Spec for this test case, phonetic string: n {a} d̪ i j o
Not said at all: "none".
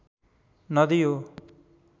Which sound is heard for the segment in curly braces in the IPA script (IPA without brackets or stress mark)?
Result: ʌ